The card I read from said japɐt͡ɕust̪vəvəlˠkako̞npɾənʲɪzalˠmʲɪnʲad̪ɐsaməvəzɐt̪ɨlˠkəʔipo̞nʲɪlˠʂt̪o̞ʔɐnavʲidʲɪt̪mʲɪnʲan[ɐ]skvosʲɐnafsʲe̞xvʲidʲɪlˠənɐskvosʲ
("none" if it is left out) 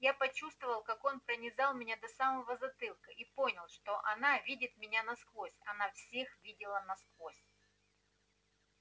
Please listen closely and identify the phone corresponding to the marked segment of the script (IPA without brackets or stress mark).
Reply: ɐ